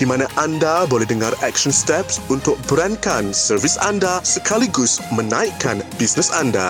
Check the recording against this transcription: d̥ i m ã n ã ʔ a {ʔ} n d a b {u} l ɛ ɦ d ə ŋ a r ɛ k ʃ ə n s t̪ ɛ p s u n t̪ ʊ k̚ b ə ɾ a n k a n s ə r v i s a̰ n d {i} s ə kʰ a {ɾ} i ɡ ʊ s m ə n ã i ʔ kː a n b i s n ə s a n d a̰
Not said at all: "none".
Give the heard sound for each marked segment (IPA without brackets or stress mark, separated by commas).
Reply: none, o, a, l